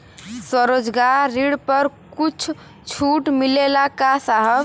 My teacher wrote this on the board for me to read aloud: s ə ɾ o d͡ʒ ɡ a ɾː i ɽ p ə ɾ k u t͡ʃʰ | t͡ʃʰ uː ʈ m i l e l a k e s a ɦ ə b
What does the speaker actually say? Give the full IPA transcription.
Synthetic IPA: s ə ɾ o d͡ʒ ɡ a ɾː i ɽ p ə ɾ k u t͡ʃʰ | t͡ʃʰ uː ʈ m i l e l a k a s a ɦ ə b